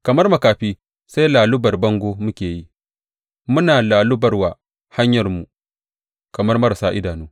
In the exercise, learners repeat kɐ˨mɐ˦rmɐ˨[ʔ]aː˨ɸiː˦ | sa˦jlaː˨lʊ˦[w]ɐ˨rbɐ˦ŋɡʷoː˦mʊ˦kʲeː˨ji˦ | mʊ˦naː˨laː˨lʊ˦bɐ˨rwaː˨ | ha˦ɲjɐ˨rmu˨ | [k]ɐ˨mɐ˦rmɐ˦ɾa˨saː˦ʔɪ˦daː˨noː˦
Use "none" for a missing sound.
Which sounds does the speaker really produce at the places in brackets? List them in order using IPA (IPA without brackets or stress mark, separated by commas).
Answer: k, b, k